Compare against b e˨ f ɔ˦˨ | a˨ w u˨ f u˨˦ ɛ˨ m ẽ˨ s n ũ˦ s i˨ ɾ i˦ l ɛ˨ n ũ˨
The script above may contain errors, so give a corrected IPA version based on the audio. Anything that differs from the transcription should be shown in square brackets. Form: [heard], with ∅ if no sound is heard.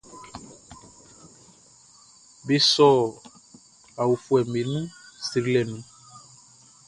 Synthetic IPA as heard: b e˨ [s] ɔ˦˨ | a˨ w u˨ f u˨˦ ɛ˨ m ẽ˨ [∅] n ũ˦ s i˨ ɾ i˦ l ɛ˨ n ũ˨